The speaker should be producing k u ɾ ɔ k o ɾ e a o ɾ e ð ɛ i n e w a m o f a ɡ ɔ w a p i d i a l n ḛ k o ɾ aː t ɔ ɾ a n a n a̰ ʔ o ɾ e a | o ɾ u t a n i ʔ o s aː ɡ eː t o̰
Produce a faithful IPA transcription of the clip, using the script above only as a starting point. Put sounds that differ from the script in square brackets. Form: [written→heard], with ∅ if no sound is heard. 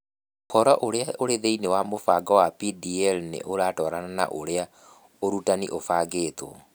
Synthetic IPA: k [u→ɔ] ɾ ɔ [k→ʔ] o ɾ e a o ɾ e ð [ɛ→e] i n e w a m o f a ɡ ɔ w a p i d i [a→ɛ] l n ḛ [k→ʔ] o ɾ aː t ɔ ɾ a n a n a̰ ʔ o ɾ e a | o ɾ u t a n i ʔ o [s→f] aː ɡ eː t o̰

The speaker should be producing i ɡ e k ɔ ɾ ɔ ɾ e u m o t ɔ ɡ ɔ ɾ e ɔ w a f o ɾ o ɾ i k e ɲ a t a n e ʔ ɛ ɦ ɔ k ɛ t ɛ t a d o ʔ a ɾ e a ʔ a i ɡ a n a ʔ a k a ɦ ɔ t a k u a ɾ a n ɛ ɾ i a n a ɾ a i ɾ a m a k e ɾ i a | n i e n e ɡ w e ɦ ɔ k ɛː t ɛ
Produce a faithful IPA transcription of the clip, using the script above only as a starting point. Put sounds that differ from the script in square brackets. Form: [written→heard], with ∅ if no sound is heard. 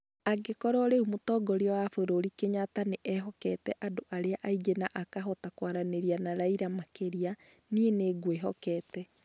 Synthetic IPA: [i→a] ɡ e k ɔ ɾ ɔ ɾ e u m o t ɔ ɡ ɔ ɾ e ɔ w a f o ɾ o ɾ i k e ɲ a t a n e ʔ ɛ ɦ ɔ k ɛ t ɛ [t→ʔ] a d o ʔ a ɾ e a ʔ a i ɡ [a→e] n a ʔ a k a ɦ ɔ t a k [u→w] a ɾ a n [ɛ→e] ɾ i a n a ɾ a i ɾ a m a k e ɾ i a | n i e n e ɡ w e ɦ ɔ k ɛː t ɛ

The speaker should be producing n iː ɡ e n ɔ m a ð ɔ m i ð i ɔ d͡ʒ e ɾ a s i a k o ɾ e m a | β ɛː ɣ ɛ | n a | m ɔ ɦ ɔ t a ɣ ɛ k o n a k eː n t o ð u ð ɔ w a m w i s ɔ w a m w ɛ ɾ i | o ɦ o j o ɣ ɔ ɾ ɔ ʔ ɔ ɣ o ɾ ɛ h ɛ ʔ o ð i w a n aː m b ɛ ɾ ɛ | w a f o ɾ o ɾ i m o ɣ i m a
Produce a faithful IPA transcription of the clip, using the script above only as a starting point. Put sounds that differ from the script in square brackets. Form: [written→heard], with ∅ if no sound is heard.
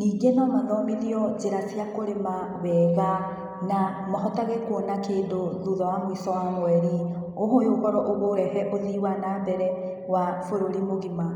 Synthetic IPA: n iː ɡ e n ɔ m a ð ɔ m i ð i ɔ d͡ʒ e ɾ a s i a k o ɾ e m a | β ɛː ɣ [ɛ→a] | n a | m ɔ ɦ ɔ t a ɣ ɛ k o n a k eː n [t→d] o ð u ð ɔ w a m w i s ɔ w a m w ɛ ɾ i | o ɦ o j o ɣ ɔ ɾ ɔ ʔ [ɔ→o] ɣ o ɾ ɛ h ɛ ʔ o ð i w a n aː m b ɛ ɾ ɛ | w a f o ɾ o ɾ i m o ɣ i m a

